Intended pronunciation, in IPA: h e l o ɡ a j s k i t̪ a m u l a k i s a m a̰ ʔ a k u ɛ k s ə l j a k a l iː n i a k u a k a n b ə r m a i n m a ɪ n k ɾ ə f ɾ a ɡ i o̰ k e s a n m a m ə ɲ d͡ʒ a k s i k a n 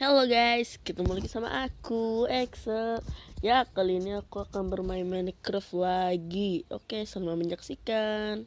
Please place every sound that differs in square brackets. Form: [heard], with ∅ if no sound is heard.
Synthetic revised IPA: h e l o ɡ a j s k i t̪ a m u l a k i s a m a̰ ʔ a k u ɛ k s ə l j a k a l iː n i a k u a k a n b ə r m a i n m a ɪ n k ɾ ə f [l] a ɡ i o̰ k e s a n m a m ə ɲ d͡ʒ a k s i k a n